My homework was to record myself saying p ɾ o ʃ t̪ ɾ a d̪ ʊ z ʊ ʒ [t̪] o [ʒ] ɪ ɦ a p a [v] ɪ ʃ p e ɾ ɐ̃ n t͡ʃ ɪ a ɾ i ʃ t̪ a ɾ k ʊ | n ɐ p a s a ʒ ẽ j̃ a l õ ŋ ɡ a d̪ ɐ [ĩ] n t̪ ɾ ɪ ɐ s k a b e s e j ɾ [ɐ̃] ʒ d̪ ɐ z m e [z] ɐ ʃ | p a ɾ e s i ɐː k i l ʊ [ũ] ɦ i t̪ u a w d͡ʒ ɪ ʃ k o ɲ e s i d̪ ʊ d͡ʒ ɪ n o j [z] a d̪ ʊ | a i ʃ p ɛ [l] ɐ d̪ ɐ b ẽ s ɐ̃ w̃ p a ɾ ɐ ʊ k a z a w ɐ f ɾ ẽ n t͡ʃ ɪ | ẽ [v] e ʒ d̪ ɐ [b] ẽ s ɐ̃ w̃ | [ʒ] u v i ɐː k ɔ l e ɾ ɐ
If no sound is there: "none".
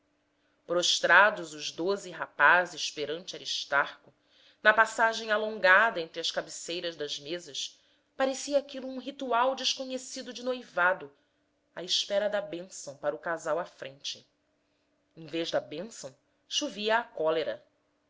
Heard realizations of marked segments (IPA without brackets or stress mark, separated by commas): d̪, z, z, ẽ, ɐ, z, ũ, v, ɾ, v, b, ʃ